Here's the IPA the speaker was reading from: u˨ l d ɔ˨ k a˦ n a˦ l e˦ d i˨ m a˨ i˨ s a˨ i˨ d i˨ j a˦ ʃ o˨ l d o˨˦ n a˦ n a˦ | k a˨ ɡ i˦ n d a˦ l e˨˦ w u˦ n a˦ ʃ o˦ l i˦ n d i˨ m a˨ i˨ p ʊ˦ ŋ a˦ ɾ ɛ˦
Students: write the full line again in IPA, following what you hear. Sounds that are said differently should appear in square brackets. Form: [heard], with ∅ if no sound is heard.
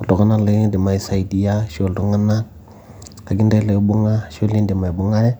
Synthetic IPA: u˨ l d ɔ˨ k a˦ n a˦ l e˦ d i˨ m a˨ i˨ s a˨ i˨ d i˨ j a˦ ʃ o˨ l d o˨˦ [ŋ] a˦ n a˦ | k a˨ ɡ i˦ n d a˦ l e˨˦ [b] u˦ [ŋ] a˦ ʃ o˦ l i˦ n d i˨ m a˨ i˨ [b] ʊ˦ ŋ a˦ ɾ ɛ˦